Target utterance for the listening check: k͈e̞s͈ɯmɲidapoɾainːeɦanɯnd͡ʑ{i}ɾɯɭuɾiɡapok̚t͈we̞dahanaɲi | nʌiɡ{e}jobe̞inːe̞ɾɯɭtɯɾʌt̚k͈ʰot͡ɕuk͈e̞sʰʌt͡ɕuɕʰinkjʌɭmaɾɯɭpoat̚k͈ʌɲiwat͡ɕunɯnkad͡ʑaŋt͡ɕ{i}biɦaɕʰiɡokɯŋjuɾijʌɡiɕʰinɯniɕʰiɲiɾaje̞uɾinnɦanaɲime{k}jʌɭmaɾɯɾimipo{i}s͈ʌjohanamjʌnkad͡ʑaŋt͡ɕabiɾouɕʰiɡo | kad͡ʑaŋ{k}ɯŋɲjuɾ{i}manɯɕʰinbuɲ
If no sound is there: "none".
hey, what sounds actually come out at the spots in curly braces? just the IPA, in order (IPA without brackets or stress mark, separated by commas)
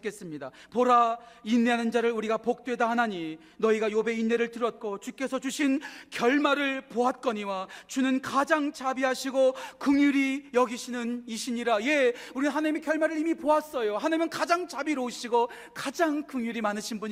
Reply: a, a, a, k, a, k, i